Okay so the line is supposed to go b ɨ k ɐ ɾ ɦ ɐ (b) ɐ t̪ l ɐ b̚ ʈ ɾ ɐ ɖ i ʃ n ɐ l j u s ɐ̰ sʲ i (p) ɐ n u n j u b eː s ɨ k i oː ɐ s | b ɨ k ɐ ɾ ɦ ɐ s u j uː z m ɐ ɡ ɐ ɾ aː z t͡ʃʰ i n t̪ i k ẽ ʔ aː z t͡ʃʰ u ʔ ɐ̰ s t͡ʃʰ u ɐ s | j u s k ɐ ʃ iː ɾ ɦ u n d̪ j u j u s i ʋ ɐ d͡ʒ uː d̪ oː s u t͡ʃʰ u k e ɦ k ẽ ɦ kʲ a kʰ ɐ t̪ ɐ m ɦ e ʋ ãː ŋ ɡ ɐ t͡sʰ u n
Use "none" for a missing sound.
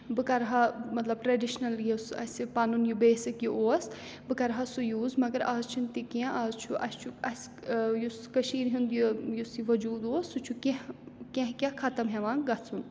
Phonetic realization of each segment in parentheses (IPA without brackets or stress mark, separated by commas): m, p